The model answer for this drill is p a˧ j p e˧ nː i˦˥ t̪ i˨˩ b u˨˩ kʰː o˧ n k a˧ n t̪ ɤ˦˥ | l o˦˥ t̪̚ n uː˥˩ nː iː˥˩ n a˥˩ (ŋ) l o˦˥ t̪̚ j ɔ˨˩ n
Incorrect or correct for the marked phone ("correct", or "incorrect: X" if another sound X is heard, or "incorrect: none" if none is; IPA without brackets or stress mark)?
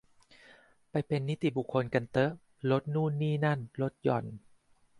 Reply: incorrect: n